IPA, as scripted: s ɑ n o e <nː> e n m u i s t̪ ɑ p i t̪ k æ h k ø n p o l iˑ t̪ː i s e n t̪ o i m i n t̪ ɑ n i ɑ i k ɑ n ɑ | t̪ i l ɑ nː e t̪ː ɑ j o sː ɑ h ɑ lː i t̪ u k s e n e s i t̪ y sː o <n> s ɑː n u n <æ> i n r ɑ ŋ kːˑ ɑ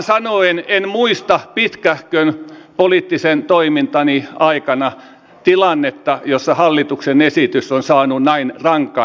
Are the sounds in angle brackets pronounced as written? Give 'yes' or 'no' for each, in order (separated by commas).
no, yes, yes